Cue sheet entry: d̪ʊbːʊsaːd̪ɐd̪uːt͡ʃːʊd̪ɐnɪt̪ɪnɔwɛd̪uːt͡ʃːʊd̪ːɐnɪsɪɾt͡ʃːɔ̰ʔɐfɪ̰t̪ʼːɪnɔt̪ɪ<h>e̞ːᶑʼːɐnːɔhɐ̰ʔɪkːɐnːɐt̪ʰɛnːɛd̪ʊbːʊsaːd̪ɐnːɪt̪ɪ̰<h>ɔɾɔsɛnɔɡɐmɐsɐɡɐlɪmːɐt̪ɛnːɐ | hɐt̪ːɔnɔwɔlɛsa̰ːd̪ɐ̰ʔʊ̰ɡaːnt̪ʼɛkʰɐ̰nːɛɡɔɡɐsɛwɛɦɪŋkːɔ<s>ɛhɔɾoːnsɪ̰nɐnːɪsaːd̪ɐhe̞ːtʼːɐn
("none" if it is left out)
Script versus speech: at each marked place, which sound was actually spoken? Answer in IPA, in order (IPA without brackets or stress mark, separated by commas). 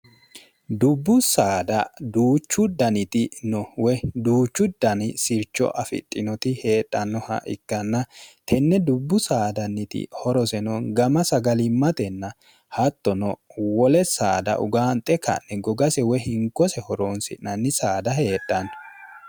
h, h, s